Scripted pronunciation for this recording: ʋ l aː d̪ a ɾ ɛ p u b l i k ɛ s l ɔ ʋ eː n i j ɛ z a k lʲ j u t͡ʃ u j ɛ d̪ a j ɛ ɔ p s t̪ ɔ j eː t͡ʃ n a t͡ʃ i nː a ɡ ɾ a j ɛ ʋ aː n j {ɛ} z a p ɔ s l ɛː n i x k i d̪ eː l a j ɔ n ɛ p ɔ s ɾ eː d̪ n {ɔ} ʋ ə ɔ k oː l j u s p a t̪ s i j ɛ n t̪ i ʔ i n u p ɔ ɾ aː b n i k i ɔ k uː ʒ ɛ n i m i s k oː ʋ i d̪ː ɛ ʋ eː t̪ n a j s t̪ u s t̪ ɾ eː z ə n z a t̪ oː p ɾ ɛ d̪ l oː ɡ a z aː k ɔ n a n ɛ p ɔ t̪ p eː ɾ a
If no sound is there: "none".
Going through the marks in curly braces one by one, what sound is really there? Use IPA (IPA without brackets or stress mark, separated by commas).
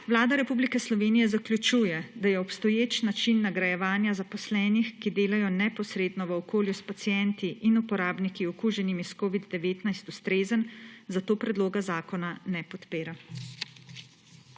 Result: a, ɔ